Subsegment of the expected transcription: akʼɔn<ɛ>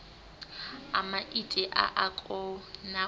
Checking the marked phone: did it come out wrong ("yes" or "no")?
yes